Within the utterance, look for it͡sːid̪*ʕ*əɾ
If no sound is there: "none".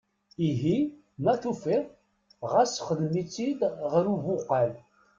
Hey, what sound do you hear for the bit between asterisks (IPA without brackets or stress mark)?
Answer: ʁ